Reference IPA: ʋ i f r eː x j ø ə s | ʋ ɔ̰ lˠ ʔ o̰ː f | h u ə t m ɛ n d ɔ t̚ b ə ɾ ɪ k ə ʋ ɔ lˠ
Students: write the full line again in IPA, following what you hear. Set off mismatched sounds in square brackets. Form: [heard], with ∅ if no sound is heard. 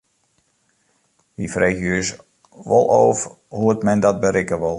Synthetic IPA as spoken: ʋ i f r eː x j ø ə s | ʋ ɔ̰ lˠ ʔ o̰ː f | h u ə t m ɛ n d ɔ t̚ b ə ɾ ɪ k ə ʋ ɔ lˠ